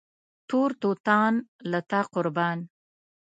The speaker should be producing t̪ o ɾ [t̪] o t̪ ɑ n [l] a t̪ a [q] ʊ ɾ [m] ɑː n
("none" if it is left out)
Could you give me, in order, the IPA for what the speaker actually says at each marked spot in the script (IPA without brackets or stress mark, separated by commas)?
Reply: t̪, l, q, b